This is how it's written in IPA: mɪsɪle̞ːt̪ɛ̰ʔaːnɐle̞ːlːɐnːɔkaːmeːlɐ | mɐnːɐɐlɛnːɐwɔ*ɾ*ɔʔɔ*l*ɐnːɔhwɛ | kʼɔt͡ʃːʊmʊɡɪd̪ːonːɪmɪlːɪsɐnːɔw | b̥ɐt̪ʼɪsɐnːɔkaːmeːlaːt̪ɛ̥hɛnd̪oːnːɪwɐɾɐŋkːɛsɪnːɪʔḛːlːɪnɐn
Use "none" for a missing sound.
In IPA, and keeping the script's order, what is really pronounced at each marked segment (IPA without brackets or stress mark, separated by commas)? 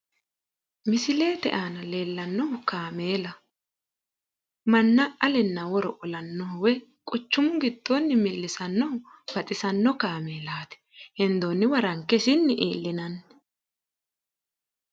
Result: ɾ, l